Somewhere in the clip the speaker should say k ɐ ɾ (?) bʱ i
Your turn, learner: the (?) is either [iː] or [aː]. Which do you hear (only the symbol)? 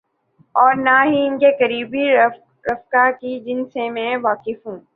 iː